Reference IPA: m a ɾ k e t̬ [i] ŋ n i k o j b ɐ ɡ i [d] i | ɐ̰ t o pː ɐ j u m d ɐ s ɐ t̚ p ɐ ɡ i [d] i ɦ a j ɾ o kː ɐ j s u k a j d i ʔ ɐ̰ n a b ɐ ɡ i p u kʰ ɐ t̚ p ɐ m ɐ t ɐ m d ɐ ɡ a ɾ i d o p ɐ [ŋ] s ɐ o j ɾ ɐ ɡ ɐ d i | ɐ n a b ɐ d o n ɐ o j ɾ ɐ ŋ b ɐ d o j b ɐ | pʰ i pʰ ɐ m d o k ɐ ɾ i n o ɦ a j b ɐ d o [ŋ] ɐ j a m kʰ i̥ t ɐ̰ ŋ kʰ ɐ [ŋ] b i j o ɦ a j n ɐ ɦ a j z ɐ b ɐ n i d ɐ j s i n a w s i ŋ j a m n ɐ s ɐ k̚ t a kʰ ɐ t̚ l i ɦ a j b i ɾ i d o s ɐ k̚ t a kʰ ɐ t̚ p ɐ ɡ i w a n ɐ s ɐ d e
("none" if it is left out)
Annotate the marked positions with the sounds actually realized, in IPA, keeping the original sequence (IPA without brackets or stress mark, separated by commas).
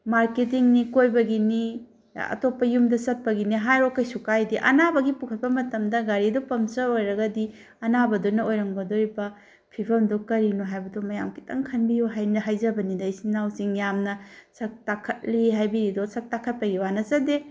i, n, n, m, m, n